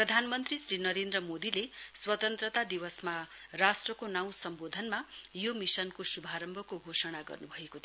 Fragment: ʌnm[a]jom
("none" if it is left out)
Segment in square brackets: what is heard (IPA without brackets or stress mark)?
a